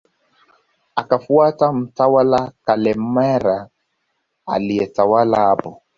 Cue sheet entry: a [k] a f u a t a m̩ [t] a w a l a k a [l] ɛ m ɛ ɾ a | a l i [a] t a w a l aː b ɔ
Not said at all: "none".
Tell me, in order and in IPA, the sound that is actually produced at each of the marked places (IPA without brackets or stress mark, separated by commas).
k, t, l, ɛ